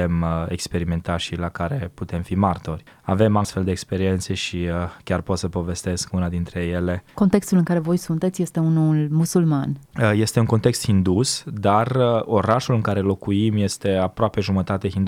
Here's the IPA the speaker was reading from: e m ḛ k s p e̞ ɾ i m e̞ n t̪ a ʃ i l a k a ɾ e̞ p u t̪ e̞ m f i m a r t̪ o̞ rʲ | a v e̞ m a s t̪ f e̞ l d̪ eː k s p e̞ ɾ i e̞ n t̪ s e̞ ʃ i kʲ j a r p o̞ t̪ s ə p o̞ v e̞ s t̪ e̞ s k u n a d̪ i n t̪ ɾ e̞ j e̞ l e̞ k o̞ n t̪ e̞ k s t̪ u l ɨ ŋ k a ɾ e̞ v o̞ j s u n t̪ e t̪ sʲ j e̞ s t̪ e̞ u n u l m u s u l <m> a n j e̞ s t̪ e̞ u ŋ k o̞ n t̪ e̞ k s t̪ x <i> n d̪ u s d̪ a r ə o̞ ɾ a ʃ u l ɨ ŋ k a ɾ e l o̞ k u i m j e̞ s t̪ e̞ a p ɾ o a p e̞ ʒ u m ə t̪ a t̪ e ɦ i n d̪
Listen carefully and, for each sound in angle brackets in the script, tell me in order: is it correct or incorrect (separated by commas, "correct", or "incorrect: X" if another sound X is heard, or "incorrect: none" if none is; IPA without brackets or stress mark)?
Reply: correct, correct